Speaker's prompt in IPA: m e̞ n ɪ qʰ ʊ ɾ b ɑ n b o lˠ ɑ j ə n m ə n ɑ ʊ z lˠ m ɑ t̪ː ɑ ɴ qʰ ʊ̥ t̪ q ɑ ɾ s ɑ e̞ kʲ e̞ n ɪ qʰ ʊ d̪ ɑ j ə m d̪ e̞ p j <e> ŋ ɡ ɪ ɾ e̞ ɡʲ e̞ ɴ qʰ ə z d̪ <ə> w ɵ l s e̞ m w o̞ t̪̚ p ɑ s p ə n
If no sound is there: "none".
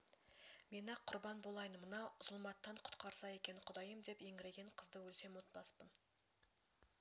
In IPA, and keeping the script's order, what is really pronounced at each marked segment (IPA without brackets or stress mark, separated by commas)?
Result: e, ə